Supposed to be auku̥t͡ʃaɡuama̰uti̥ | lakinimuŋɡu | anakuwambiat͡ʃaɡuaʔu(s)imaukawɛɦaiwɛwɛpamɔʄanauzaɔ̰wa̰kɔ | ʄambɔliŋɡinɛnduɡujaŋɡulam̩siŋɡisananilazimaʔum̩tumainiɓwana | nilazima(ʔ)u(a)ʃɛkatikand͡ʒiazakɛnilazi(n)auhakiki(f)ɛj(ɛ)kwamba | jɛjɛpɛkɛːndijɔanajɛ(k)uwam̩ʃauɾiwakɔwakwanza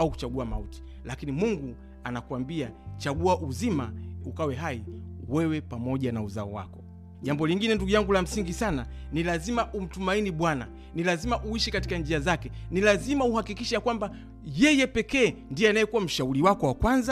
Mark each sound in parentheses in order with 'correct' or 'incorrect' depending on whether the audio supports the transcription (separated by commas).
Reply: incorrect, correct, incorrect, incorrect, incorrect, incorrect, correct